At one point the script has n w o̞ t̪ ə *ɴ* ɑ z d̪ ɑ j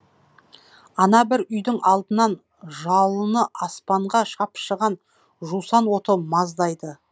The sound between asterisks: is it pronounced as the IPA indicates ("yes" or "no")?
no